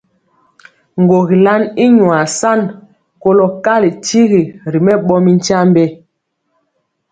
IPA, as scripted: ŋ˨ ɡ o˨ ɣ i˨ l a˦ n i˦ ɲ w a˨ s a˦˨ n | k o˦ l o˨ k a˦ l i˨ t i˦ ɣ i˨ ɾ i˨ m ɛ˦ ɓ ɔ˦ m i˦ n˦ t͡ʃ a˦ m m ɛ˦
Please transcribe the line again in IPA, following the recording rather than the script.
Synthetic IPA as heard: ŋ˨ ɡ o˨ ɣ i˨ l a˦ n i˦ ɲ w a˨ s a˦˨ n | k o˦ l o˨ k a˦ l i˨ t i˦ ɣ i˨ ɾ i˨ m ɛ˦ ɓ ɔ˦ m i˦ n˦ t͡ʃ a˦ m b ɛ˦

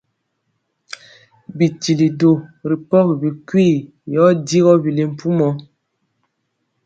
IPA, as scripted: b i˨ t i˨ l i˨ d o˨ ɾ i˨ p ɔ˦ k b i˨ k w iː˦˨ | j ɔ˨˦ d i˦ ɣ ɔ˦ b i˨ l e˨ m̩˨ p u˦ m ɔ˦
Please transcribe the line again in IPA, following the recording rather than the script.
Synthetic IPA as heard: b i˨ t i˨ l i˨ d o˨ ɾ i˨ p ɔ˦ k b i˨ k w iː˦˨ | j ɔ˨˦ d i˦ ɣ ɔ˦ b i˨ l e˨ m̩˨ p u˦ m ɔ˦

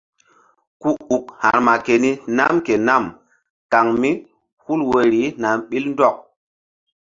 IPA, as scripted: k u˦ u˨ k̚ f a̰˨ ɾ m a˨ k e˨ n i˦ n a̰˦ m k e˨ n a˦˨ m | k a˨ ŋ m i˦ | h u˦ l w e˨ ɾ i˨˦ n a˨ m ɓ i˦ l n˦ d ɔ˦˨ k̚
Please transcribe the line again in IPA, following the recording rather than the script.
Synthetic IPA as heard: k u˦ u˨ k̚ h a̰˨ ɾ m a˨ k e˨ n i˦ n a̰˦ m k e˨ n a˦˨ m | k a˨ ŋ m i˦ | h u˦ l w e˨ ɾ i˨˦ n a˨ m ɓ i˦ l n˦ d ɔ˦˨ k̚

